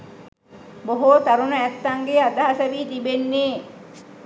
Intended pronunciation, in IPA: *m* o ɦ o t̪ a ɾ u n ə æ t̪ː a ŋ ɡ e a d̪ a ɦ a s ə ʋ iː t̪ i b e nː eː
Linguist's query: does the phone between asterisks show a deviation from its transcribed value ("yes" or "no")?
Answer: yes